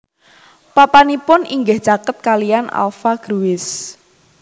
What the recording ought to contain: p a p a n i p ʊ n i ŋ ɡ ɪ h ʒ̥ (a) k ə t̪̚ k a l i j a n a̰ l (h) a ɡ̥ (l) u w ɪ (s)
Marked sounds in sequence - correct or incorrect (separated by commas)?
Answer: correct, incorrect, incorrect, correct